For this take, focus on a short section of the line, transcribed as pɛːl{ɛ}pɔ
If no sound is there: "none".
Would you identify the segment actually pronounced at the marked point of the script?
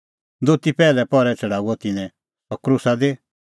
ɛ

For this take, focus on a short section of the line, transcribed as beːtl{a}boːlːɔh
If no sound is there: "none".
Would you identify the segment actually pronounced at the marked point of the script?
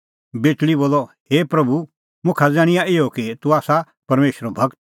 i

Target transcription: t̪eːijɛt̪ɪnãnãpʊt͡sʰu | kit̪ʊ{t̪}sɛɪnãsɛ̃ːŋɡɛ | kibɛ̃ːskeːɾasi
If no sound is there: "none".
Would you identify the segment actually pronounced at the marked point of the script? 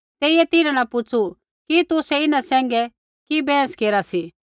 none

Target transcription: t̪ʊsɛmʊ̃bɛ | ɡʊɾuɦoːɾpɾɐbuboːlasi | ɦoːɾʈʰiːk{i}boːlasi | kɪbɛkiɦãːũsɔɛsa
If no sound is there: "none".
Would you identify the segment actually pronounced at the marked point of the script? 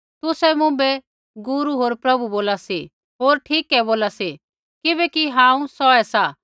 ɛ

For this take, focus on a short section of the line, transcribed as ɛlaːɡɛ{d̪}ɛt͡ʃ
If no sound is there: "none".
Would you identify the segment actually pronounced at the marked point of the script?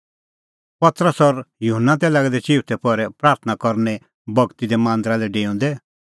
d̪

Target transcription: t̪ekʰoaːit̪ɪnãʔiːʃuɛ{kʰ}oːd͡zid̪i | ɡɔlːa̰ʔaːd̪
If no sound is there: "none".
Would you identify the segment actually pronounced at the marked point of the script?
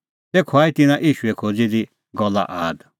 kʰ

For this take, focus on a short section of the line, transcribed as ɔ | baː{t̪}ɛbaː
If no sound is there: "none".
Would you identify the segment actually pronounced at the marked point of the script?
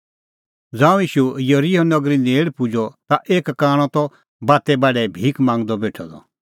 t̪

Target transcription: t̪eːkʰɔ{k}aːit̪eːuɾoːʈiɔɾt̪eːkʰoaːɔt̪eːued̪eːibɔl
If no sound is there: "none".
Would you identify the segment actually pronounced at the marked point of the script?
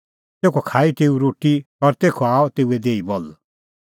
kʰ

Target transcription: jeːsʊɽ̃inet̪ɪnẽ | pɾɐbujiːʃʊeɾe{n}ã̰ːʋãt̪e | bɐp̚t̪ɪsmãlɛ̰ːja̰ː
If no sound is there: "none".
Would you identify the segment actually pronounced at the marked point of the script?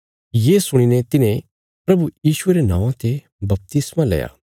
n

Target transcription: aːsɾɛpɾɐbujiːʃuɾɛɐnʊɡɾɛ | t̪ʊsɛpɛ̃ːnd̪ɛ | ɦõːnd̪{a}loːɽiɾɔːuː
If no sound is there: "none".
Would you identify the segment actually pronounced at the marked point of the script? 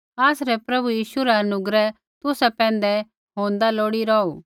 a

